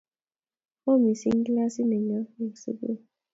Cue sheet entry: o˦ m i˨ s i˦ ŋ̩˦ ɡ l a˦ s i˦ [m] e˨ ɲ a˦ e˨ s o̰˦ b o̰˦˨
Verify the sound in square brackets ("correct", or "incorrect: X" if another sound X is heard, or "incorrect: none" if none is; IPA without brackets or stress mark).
incorrect: n